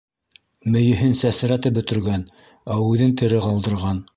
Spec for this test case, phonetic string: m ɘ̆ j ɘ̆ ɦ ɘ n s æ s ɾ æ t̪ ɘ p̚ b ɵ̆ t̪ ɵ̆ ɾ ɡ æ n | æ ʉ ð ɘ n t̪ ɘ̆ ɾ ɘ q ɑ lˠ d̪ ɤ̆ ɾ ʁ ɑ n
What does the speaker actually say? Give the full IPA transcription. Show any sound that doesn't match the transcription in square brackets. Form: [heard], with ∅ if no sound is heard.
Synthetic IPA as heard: m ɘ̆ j ɘ̆ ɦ ɘ n s æ s ɾ æ t̪ ɘ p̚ b ɵ̆ t̪ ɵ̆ ɾ ɡ æ n | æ ʉ ð ɘ n t̪ ɘ̆ ɾ ɘ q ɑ lˠ d̪ ɤ̆ ɾ ʁ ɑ n